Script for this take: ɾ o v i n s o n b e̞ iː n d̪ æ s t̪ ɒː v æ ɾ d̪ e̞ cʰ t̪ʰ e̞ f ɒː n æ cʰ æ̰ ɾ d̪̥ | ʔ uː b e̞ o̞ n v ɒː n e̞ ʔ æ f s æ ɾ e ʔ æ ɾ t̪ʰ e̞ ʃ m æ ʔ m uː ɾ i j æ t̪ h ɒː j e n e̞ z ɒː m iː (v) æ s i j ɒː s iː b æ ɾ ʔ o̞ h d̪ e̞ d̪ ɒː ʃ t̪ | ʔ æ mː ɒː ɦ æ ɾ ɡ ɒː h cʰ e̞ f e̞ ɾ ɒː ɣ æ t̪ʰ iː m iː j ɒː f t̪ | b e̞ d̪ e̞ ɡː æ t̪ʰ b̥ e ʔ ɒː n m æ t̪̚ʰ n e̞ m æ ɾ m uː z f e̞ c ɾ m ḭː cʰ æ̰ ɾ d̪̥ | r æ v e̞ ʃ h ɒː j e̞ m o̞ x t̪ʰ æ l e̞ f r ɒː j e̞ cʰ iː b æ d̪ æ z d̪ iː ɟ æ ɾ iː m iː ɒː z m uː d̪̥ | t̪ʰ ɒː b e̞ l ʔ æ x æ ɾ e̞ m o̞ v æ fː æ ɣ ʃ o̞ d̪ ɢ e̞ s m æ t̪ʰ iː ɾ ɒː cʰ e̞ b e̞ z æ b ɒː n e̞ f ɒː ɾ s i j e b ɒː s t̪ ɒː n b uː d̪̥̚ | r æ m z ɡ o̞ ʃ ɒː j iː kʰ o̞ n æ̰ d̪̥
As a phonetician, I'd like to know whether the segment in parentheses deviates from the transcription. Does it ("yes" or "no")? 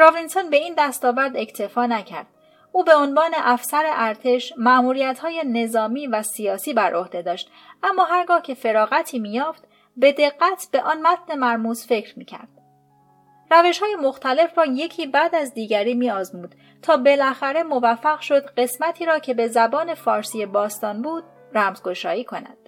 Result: no